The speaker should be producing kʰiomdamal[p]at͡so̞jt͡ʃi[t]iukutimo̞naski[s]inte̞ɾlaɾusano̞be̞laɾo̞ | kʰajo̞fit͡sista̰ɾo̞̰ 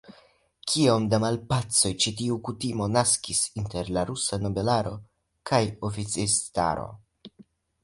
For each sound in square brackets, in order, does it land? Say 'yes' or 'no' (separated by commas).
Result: yes, yes, yes